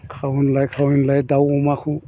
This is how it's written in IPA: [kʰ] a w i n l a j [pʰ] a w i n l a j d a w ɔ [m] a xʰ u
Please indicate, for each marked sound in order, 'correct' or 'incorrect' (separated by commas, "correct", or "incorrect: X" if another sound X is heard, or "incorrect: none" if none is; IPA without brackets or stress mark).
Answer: correct, incorrect: kʰ, correct